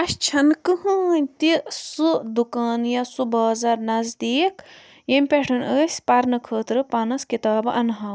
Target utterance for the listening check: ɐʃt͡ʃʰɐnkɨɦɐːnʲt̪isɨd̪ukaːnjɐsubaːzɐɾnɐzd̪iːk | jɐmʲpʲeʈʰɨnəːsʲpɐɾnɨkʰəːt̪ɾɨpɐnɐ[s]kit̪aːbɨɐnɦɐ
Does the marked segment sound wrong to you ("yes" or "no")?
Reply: no